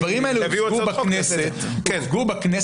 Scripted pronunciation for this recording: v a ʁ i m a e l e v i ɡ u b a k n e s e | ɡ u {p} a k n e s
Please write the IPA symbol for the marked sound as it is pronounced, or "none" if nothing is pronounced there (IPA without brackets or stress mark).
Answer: b